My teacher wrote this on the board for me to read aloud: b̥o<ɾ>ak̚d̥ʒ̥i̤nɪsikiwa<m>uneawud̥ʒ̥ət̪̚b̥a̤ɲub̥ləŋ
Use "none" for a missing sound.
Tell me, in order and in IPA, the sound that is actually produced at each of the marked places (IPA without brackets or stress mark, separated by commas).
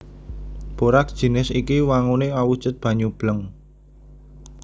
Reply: ɾ, ŋ